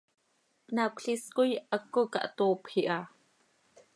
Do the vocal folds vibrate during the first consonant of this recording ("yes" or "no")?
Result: yes